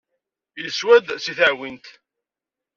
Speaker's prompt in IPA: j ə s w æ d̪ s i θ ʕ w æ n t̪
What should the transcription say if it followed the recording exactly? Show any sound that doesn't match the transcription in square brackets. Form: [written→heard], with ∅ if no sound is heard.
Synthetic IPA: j ə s w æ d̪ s i θ ʕ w [æ→i] n t̪